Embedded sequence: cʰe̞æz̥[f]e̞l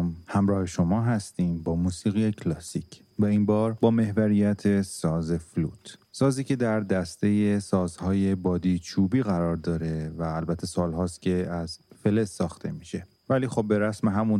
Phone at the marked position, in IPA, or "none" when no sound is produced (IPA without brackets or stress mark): f